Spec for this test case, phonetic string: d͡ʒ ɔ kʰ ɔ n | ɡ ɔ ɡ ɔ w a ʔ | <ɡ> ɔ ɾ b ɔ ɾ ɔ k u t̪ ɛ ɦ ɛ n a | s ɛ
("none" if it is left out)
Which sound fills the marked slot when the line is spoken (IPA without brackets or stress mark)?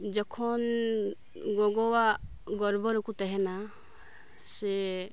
ɡ